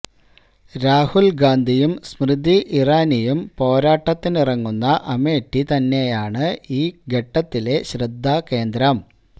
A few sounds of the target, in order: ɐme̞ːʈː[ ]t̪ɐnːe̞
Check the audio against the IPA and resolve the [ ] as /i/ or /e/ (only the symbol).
i